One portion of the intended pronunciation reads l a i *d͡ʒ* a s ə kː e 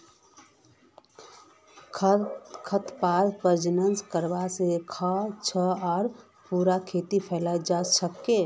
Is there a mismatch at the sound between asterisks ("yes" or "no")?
no